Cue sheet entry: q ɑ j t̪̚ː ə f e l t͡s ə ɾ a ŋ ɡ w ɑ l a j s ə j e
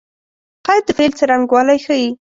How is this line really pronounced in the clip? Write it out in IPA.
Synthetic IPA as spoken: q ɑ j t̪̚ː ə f e l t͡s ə ɾ a ŋ ɡ w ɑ l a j x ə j i